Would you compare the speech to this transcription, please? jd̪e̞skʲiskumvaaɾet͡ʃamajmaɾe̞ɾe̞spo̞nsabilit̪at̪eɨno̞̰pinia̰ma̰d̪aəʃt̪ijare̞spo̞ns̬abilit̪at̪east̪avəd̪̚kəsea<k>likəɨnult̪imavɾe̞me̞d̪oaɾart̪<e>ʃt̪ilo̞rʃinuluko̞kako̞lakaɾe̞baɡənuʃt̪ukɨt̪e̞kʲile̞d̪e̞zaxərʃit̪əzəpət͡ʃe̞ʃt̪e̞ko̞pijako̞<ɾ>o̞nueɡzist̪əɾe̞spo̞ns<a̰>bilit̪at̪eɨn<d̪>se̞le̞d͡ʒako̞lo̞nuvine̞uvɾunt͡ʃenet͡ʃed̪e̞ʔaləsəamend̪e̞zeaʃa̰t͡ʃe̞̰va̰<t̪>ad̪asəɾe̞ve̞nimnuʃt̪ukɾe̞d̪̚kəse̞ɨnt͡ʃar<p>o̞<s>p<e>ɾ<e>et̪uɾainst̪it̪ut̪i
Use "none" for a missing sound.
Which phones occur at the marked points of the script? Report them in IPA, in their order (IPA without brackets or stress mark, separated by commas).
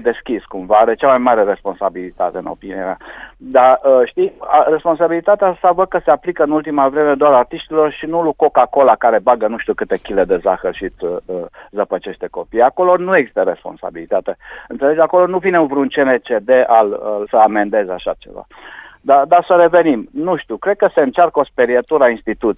p, i, l, a̰, t̪, d̪, k, s, e, i